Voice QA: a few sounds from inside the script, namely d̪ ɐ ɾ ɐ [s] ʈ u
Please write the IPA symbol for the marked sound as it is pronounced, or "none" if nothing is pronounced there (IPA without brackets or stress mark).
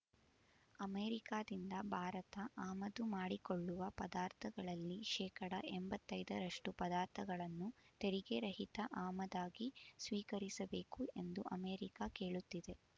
ʂ